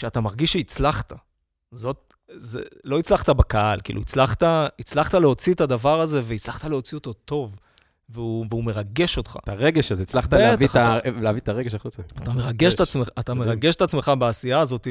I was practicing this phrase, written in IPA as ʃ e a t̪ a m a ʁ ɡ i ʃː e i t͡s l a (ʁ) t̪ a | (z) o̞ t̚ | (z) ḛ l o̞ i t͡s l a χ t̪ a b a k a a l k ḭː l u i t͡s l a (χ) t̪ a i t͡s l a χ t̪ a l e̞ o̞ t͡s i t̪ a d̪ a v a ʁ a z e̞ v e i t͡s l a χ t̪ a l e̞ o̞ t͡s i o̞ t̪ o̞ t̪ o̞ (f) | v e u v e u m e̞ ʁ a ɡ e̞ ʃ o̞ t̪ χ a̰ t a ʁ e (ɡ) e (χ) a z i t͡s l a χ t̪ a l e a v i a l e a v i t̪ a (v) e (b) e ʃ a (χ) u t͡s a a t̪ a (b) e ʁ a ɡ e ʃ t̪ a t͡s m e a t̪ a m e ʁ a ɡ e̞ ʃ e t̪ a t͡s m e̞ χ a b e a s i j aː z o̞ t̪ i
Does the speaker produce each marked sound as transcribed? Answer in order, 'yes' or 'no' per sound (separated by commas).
no, yes, yes, yes, no, yes, no, no, no, yes, no